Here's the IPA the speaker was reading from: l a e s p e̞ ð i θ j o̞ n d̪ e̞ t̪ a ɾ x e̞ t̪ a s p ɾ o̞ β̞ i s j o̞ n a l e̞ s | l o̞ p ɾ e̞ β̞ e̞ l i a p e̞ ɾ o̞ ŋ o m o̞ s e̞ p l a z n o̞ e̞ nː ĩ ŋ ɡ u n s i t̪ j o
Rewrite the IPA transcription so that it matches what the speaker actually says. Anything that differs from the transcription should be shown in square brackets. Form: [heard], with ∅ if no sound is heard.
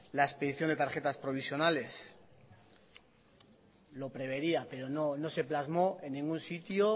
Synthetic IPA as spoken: l a e s p e̞ ð i θ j o̞ n d̪ e̞ t̪ a ɾ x e̞ t̪ a s p ɾ o̞ β̞ i s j o̞ n a l e̞ s | l o̞ p ɾ e̞ β̞ e̞ [ɾ] i a p e̞ ɾ o̞ [n] o [n] o̞ s e̞ p l a z [m] o̞ e̞ nː ĩ ŋ ɡ u n s i t̪ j o